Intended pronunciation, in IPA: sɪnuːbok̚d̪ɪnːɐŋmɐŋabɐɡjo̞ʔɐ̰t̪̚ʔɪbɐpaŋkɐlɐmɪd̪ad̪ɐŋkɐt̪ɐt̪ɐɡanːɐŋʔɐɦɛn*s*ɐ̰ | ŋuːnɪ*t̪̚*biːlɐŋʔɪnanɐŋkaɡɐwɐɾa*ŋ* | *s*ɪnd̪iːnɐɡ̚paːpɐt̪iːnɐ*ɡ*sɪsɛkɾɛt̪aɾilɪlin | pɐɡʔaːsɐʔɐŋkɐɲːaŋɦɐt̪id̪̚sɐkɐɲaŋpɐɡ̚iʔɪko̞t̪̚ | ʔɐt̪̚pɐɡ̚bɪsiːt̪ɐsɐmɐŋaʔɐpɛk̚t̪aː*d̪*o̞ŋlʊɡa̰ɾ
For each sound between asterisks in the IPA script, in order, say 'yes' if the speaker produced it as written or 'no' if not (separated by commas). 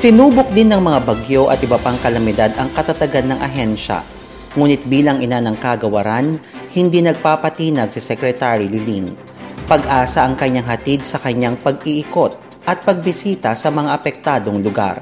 no, yes, no, no, yes, yes